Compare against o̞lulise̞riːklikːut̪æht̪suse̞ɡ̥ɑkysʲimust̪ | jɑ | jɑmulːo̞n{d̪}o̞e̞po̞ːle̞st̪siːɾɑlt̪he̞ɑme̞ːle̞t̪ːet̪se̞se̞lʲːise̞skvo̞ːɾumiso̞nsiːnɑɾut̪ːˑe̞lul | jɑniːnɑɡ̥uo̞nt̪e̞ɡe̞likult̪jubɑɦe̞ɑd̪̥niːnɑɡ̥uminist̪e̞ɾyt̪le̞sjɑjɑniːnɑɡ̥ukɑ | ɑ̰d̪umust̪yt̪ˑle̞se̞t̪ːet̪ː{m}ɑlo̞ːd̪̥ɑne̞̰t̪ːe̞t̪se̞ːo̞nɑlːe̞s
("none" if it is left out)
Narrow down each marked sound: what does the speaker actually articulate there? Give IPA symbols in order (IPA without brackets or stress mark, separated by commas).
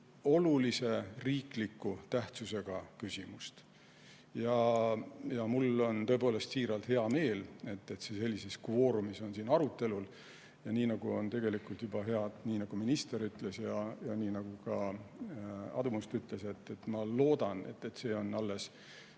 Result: t̪, m